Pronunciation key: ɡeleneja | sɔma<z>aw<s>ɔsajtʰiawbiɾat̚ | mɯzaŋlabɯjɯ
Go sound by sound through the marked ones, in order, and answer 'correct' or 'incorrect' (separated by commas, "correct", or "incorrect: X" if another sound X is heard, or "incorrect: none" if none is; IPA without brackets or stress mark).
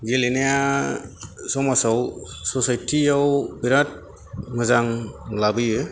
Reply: incorrect: s, correct